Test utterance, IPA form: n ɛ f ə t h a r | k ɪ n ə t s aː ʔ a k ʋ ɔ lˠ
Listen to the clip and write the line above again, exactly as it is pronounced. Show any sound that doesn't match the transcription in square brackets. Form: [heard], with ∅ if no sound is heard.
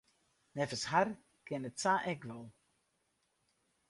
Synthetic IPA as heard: n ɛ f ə [s] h a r | k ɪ n ə t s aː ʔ [ɛ] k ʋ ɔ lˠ